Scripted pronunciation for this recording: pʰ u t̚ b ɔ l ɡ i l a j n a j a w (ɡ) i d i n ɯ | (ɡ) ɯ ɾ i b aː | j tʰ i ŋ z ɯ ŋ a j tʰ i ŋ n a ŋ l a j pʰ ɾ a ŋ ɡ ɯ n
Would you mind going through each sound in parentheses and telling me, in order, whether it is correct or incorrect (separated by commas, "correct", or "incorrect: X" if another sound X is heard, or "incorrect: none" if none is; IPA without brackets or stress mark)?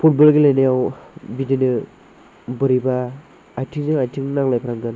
incorrect: b, incorrect: b